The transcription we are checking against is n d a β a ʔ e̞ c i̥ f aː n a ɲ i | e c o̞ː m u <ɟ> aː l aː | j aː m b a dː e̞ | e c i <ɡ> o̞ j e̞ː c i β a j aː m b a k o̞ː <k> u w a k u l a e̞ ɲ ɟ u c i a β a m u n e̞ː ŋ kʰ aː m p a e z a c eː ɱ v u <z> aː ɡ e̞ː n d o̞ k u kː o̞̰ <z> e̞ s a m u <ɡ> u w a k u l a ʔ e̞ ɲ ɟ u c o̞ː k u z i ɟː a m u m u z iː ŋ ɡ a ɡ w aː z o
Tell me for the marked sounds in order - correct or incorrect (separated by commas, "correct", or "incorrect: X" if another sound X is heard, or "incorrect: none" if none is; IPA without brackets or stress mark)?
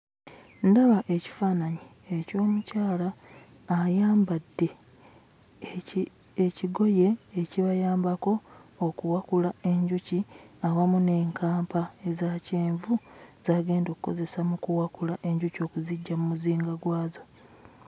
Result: incorrect: c, correct, correct, correct, correct, incorrect: k